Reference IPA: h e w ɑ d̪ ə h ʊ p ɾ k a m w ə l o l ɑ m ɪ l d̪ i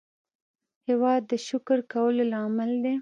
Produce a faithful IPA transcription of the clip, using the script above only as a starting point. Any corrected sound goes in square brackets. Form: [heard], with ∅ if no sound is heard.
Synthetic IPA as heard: h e w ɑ [d̪ː] ə [ʃ] ʊ [k] ɾ k a [∅] w ə l o l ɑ m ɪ l d̪ [e]